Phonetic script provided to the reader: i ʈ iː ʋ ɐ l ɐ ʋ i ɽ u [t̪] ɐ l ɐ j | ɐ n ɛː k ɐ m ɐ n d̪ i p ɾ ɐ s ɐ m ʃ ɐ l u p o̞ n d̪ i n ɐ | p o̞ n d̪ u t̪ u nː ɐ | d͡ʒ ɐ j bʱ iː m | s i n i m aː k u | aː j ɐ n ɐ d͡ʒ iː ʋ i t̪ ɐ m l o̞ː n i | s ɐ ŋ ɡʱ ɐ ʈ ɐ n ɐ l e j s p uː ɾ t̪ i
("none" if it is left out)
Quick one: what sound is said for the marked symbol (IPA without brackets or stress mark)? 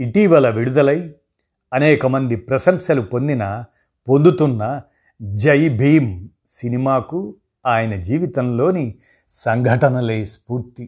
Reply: d̪